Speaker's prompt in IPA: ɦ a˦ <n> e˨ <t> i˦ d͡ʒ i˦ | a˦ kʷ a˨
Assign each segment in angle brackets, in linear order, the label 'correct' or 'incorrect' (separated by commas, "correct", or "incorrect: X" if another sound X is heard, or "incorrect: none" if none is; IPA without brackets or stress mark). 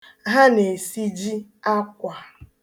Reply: correct, incorrect: s